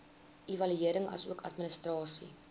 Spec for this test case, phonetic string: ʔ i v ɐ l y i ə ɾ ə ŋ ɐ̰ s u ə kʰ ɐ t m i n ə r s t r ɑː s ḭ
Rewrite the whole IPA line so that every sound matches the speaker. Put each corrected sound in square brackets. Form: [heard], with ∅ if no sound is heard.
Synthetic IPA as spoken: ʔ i v ɐ l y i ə ɾ ə ŋ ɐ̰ s u ə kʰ ɐ t m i n ə [∅] s t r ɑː s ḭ